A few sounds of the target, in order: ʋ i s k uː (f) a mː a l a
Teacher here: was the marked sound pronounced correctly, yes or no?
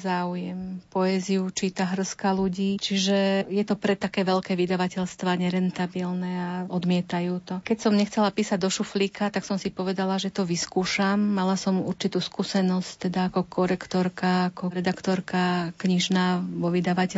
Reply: no